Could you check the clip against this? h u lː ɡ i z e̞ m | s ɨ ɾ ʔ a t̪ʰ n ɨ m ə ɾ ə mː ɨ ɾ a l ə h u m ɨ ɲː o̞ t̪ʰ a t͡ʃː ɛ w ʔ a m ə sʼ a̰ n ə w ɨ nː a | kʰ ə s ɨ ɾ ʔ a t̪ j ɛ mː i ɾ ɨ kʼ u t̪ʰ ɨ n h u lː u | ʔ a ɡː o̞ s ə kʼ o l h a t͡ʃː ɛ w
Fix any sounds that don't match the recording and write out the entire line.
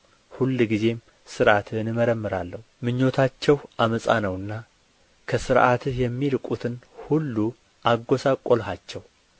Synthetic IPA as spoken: h u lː ɡ i z e̞ m | s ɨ ɾ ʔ a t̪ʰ n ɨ m ə ɾ ə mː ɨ ɾ a lː ə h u m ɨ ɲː o̞ t̪ʰ a t͡ʃː ɛ w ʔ a m ə sʼ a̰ n ə w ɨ nː a | kʰ ə s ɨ ɾ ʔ a t̪ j ɛ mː i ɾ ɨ kʼ u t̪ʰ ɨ n h u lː u | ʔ a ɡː o̞ s a kʼ o l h a t͡ʃː ɛ w